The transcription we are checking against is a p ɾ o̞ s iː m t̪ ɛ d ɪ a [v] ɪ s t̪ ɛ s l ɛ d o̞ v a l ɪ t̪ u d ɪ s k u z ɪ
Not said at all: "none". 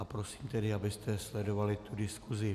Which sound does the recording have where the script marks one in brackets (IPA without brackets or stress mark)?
b